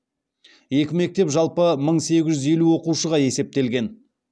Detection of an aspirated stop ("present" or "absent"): absent